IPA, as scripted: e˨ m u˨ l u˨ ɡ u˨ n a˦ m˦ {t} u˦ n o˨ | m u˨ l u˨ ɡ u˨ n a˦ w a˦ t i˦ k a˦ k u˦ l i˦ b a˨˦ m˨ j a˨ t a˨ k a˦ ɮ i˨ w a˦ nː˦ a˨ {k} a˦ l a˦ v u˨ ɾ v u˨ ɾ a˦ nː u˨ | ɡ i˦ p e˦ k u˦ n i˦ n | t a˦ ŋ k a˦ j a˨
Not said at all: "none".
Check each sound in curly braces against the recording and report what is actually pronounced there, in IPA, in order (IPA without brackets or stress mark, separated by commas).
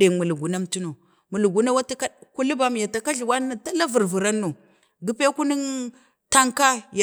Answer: t, t